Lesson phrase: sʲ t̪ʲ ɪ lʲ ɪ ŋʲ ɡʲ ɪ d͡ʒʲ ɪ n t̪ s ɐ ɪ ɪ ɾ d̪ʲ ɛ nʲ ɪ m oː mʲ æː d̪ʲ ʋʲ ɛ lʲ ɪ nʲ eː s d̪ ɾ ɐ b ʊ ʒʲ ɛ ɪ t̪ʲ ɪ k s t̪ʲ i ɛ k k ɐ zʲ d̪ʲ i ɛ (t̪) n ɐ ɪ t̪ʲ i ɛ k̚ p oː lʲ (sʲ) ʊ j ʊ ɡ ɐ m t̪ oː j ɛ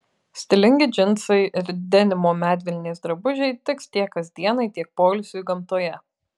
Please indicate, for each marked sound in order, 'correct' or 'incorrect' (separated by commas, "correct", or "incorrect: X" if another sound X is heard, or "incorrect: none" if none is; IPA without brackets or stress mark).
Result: incorrect: none, correct